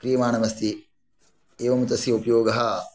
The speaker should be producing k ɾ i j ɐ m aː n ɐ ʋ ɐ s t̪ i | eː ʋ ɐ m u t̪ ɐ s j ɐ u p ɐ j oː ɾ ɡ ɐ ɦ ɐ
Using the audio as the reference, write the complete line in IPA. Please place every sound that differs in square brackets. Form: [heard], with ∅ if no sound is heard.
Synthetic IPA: k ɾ i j ɐ m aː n ɐ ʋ ɐ s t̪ i | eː ʋ ɐ m u t̪ ɐ s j ɐ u p ɐ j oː [∅] ɡ ɐ ɦ ɐ